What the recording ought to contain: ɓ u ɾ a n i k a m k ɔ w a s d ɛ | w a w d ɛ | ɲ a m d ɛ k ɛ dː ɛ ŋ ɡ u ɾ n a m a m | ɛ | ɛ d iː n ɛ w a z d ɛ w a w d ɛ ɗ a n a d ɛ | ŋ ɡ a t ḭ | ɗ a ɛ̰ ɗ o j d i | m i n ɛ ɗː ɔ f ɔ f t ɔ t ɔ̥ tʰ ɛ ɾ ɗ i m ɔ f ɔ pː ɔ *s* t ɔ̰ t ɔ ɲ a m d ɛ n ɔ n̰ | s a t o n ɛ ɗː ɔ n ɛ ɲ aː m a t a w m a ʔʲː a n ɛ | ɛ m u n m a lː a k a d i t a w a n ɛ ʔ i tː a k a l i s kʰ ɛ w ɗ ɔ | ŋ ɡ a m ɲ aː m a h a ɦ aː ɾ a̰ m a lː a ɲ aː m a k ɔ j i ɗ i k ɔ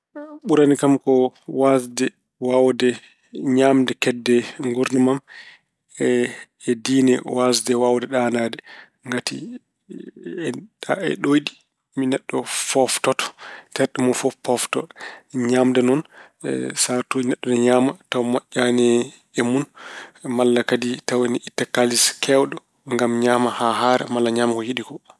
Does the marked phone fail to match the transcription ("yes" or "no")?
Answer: yes